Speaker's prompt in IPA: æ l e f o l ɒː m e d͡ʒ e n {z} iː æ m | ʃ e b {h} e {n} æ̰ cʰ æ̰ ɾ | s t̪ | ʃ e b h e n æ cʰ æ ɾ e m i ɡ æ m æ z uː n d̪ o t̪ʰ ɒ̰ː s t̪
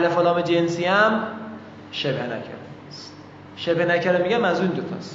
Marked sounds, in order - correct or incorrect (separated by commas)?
incorrect, correct, correct